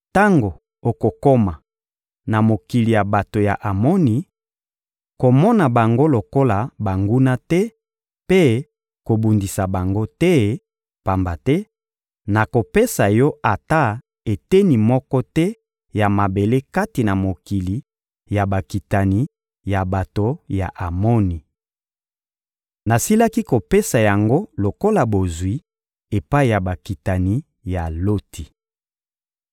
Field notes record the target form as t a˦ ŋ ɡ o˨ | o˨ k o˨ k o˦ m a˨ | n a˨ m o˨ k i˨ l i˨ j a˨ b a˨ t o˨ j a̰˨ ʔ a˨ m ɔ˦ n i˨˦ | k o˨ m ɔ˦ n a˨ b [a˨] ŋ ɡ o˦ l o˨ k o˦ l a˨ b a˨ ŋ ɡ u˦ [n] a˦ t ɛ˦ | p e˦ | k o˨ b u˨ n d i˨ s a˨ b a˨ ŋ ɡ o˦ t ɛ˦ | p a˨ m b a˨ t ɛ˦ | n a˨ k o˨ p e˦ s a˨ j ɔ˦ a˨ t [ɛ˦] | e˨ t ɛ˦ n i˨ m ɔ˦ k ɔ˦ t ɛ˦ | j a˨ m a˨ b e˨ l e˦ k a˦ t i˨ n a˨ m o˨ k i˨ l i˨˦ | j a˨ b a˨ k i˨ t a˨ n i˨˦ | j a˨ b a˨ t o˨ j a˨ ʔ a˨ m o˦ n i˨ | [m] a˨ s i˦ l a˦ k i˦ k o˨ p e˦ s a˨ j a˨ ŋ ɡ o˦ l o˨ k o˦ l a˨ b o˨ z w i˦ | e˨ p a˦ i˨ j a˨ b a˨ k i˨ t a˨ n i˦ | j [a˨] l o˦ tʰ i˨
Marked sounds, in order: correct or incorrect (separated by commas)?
correct, correct, incorrect, incorrect, correct